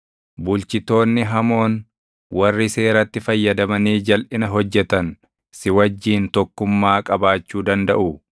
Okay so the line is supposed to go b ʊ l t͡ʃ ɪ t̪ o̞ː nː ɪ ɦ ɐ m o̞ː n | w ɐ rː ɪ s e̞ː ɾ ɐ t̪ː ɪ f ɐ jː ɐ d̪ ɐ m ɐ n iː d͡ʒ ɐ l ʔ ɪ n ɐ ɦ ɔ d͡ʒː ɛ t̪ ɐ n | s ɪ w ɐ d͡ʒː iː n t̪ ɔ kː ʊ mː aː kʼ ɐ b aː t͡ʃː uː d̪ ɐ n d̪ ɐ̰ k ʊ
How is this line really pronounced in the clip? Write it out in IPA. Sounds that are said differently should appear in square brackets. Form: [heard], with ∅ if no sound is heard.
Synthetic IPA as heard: b ʊ l t͡ʃ ɪ t̪ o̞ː nː ɪ ɦ ɐ m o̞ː n | w ɐ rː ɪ s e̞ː ɾ ɐ t̪ː ɪ f ɐ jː ɐ d̪ ɐ m ɐ n iː d͡ʒ ɐ l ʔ ɪ n ɐ ɦ ɔ d͡ʒː ɛ t̪ ɐ n | s ɪ w ɐ d͡ʒː iː n t̪ ɔ kː ʊ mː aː kʼ ɐ b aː t͡ʃː uː d̪ ɐ n d̪ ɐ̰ [ʔ] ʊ